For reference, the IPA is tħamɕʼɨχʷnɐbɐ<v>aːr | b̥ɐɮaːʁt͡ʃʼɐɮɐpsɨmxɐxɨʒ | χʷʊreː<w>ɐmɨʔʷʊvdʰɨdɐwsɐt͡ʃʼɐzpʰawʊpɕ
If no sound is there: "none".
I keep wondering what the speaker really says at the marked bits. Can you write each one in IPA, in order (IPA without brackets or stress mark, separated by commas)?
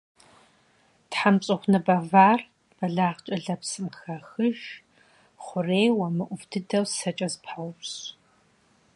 v, w